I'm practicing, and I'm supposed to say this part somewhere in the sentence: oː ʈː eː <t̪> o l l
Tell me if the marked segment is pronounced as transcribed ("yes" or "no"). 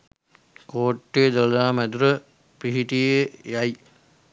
no